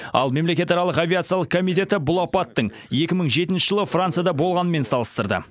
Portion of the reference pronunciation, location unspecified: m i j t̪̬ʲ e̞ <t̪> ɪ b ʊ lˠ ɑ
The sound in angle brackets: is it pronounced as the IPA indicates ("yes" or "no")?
yes